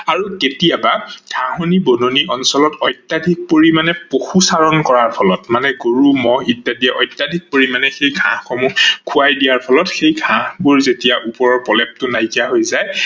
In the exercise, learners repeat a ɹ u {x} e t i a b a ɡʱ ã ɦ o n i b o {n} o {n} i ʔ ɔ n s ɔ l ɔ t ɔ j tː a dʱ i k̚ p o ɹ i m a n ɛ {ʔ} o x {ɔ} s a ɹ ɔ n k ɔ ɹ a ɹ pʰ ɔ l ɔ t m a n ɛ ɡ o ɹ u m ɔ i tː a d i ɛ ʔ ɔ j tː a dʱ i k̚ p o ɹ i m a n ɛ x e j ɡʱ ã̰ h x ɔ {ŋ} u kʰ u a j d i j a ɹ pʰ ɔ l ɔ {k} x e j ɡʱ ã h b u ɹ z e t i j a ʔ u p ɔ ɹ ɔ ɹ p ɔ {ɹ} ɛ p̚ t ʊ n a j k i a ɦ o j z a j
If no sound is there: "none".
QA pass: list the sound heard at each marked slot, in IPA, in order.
k, n, n, p, u, m, t, l

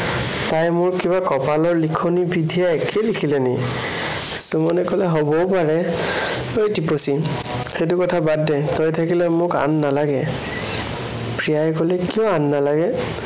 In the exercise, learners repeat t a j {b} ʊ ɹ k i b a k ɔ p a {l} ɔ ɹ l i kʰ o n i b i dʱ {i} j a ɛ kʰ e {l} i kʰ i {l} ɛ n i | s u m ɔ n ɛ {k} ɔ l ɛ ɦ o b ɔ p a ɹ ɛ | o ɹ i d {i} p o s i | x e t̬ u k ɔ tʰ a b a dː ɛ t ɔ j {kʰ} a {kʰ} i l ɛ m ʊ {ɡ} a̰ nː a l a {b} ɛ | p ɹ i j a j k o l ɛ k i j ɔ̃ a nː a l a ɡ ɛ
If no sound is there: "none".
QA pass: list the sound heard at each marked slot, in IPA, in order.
m, l, i, l, l, k, i, tʰ, k, k, ɡ

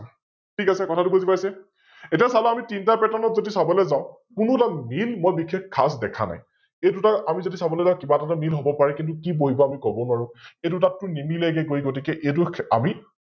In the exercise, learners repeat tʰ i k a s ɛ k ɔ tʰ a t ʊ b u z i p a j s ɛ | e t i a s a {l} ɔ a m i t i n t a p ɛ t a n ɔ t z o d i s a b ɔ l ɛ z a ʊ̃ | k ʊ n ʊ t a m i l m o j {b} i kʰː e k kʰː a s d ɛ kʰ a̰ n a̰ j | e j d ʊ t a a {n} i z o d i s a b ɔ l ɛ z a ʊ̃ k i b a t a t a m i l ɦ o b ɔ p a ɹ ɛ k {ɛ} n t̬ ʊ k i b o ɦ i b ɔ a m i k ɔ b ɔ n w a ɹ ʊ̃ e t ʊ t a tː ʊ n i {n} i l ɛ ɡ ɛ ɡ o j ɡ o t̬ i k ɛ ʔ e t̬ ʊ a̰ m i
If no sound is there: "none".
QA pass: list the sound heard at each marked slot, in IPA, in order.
l, b, m, i, m

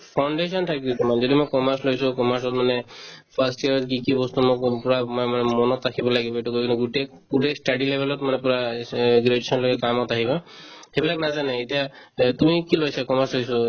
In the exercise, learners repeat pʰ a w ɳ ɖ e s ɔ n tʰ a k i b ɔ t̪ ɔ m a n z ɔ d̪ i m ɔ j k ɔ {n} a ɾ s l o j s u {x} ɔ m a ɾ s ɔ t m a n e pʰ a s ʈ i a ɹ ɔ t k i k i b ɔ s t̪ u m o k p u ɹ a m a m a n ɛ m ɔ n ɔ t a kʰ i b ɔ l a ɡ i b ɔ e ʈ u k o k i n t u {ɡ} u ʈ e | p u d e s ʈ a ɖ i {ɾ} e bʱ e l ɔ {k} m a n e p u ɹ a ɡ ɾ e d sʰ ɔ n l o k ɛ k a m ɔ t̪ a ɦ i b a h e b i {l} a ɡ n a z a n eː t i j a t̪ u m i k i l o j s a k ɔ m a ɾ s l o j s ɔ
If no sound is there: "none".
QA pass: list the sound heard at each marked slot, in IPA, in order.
m, k, ɡ, l, t, l

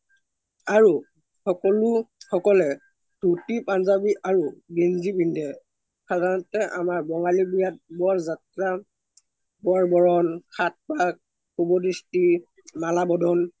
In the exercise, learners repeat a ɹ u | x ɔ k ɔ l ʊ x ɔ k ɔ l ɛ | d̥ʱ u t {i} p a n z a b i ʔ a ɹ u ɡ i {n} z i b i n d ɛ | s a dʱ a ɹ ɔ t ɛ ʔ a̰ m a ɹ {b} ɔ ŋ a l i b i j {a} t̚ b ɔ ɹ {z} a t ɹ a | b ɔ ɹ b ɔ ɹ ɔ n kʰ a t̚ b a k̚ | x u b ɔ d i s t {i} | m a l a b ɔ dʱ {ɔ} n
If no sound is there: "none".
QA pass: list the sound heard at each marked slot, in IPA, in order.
i, n, b, a, z, i, ɔ

